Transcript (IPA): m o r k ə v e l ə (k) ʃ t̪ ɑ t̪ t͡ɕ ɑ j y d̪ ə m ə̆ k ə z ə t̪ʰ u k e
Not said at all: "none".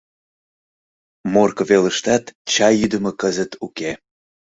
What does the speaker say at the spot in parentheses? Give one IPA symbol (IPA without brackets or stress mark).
none